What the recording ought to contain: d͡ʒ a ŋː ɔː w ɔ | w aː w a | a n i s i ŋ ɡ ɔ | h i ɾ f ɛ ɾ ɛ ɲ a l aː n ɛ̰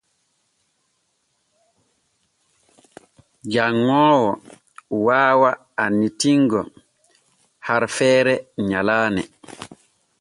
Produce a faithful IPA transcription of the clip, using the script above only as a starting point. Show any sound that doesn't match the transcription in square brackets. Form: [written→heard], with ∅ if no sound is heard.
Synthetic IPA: d͡ʒ a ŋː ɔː w ɔ | w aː w a | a n i [s→t] i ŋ ɡ ɔ | h [i→a] ɾ f [ɛ→ɛː] ɾ ɛ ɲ a l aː n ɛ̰